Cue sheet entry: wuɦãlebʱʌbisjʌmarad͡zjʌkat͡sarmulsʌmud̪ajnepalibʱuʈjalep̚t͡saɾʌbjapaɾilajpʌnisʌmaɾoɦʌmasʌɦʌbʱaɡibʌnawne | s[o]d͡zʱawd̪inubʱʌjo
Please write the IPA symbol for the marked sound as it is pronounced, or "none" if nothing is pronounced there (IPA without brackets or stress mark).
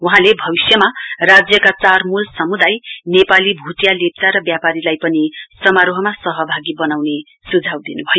u